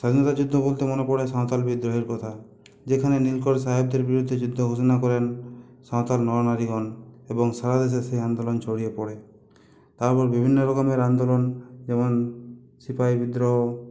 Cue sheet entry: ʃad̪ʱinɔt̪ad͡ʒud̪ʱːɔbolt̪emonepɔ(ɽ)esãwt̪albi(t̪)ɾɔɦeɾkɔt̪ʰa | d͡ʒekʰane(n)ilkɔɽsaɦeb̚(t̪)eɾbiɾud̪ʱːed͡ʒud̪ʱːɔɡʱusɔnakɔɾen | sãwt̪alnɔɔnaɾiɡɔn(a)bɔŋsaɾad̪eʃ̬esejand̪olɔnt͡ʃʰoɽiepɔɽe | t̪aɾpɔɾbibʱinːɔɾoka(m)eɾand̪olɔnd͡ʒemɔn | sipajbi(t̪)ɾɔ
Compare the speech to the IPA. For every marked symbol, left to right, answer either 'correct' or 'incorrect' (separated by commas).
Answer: correct, incorrect, correct, incorrect, incorrect, correct, incorrect